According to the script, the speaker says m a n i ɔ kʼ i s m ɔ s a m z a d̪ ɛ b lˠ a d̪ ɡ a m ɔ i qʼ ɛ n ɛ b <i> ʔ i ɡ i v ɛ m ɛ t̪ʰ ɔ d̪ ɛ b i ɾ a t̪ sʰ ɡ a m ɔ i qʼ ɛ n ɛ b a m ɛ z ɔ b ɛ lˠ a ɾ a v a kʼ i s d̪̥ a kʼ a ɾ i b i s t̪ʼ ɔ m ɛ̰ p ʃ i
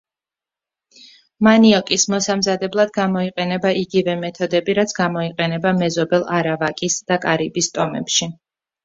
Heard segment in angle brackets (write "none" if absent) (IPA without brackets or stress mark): a